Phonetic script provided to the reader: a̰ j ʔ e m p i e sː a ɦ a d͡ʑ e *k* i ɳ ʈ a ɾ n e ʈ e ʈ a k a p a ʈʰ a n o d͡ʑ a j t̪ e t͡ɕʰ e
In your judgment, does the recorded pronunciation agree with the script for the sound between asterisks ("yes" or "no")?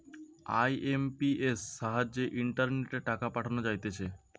no